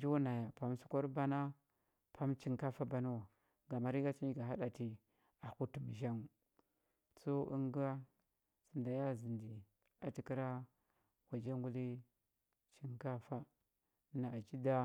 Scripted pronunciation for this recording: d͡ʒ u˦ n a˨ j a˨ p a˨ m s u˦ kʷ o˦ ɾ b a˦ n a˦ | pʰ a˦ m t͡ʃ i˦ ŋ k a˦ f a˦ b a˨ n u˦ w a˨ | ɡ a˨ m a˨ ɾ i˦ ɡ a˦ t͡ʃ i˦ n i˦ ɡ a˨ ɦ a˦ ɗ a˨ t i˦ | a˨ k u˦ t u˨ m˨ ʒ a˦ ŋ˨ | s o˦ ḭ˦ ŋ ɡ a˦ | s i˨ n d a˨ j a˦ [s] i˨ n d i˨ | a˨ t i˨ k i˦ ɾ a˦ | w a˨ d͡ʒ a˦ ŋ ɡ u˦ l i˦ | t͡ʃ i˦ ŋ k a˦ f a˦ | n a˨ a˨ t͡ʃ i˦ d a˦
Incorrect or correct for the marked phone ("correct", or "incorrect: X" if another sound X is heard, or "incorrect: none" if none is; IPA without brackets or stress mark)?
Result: incorrect: z